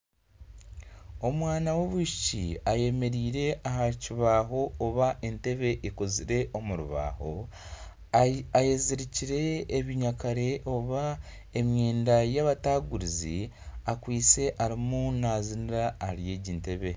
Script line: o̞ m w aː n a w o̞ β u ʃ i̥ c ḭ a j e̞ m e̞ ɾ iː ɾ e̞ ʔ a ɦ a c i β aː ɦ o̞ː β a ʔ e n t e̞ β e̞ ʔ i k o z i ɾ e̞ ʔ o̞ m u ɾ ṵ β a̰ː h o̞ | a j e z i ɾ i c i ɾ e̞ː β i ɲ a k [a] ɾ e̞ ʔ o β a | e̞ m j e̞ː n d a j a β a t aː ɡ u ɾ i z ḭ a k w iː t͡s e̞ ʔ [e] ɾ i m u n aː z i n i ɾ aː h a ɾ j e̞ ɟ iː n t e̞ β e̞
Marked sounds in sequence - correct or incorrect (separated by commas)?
correct, incorrect